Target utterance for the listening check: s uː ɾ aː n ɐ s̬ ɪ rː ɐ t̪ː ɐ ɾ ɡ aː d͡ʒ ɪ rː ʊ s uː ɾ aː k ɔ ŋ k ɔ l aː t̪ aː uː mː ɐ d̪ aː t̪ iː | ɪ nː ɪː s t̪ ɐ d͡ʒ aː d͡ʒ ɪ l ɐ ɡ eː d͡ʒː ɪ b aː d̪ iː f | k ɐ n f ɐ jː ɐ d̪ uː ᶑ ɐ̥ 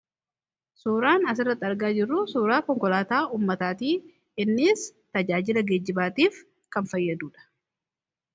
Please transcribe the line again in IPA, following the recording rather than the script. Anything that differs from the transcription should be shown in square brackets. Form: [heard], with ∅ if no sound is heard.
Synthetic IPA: s uː ɾ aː n ɐ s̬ ɪ rː ɐ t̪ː ɐ ɾ ɡ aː d͡ʒ ɪ rː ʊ s uː ɾ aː k ɔ ŋ k ɔ l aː t̪ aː uː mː ɐ [t̪] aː t̪ iː | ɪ nː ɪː s t̪ ɐ d͡ʒ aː d͡ʒ ɪ l ɐ ɡ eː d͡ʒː ɪ b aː [t̪] iː f | k ɐ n f ɐ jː ɐ d̪ uː ᶑ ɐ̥

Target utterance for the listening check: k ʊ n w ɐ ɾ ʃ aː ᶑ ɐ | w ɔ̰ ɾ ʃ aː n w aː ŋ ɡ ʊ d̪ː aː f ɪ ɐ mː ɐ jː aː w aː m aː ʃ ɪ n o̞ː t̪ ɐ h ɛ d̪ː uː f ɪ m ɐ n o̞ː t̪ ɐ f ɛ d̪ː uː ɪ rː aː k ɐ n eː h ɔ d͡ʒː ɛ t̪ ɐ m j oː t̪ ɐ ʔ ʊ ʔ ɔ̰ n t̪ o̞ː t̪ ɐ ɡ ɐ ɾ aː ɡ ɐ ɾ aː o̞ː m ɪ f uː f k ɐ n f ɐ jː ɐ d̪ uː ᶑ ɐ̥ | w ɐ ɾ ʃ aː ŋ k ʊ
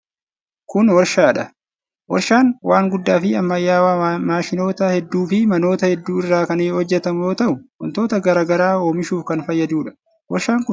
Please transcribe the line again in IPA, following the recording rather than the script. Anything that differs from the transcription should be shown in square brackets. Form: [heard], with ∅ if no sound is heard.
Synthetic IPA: k ʊ n w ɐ ɾ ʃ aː ᶑ ɐ | w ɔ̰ ɾ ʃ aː n w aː ŋ ɡ ʊ d̪ː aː f ɪ ɐ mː ɐ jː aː w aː m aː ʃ ɪ n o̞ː t̪ ɐ h ɛ d̪ː uː f ɪ m ɐ n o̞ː t̪ ɐ [h] ɛ d̪ː uː ɪ rː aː k ɐ n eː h ɔ d͡ʒː ɛ t̪ ɐ m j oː t̪ ɐ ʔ ʊ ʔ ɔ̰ n t̪ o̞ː t̪ ɐ ɡ ɐ ɾ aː ɡ ɐ ɾ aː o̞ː m ɪ [ʃ] uː f k ɐ n f ɐ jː ɐ d̪ uː ᶑ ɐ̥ | w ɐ ɾ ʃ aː ŋ k ʊ

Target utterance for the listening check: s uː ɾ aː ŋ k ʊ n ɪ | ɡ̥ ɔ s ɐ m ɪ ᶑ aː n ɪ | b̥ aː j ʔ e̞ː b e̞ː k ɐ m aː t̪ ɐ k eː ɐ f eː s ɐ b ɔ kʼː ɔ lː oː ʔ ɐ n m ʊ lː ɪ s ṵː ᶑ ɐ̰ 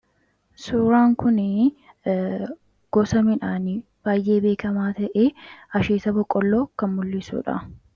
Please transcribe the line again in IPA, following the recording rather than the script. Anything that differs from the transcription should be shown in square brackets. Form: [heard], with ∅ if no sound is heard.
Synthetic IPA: s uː ɾ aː ŋ k ʊ n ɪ | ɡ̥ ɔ s ɐ m ɪ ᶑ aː n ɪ | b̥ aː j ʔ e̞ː b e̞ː k ɐ m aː t̪ ɐ [ʔ] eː ɐ [ʃ] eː s ɐ b ɔ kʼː ɔ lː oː [k] ɐ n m ʊ lː ɪ s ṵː ᶑ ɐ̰

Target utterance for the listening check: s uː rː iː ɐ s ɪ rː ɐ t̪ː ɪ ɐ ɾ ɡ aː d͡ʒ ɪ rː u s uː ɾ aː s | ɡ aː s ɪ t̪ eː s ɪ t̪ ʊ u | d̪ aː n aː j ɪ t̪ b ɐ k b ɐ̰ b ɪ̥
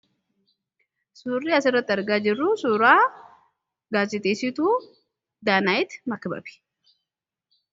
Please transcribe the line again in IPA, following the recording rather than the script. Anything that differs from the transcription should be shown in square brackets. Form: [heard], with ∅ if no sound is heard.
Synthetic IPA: s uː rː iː ɐ s ɪ rː ɐ t̪ː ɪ ɐ ɾ ɡ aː d͡ʒ ɪ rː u s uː ɾ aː [∅] | ɡ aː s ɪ t̪ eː s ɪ t̪ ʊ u | d̪ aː n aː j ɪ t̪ [m] ɐ k b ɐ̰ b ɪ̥

